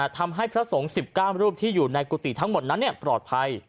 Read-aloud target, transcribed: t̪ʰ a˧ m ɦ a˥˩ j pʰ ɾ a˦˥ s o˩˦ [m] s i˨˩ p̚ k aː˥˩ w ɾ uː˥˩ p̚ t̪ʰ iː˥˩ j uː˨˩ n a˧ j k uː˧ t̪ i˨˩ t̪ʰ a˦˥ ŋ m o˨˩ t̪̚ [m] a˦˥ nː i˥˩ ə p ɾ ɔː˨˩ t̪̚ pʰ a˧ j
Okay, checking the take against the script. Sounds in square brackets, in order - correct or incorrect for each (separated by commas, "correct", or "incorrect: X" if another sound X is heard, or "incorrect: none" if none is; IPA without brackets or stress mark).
incorrect: ŋ, incorrect: n